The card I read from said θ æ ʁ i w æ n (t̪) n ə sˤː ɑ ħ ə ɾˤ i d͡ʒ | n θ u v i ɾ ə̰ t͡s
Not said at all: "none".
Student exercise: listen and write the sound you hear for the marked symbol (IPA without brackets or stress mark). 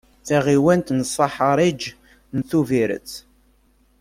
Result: t̪